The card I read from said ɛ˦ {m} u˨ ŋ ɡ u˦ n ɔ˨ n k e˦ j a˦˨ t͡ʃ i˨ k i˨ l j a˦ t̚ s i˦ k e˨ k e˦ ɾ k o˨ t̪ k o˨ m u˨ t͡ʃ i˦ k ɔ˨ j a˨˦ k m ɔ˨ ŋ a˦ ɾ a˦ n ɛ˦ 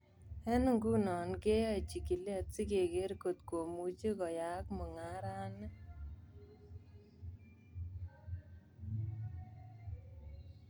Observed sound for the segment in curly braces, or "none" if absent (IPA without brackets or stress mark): n